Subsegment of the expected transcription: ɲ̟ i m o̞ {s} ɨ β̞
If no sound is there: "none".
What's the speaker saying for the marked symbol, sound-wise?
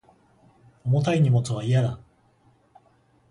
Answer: t͡s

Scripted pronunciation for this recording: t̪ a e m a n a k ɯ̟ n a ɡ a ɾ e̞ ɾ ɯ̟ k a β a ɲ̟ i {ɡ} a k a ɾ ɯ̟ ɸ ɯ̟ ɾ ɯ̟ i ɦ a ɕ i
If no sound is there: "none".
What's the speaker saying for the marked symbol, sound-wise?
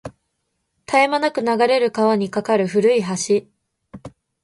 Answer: k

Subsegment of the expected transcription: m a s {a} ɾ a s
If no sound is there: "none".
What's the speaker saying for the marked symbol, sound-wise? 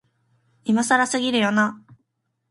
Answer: a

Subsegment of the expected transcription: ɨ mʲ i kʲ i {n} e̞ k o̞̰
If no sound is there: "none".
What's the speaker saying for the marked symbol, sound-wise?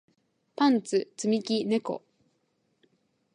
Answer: n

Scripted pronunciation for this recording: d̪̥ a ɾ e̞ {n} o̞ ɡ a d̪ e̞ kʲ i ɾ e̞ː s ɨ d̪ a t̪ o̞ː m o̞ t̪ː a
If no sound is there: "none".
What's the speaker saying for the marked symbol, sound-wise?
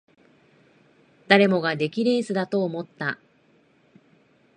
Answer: m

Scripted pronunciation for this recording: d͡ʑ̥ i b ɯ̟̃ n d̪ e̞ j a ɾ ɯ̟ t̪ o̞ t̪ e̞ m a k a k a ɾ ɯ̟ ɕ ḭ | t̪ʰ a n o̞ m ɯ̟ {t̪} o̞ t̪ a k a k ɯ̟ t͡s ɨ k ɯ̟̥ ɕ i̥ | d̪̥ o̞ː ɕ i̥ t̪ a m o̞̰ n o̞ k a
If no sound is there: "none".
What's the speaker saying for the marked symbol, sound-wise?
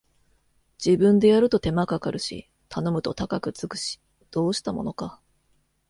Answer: t̪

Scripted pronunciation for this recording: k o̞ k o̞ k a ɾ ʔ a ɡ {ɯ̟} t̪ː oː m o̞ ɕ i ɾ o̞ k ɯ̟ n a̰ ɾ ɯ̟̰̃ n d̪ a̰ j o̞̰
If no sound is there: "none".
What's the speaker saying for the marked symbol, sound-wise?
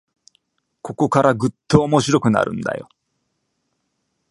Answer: ɯ̟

